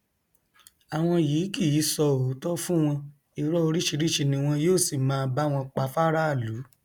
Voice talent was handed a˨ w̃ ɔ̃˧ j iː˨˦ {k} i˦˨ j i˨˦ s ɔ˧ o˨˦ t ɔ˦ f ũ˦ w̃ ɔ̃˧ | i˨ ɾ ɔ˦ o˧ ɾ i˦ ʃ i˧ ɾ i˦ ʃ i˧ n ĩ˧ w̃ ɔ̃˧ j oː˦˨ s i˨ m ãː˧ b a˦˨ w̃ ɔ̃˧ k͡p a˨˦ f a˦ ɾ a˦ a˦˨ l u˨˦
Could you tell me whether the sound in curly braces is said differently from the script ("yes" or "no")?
no